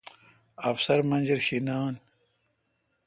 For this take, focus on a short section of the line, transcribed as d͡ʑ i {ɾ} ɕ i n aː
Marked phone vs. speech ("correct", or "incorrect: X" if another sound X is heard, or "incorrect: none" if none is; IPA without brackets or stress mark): correct